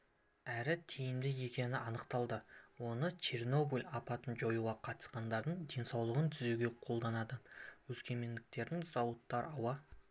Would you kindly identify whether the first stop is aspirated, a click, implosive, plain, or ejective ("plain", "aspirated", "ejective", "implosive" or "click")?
aspirated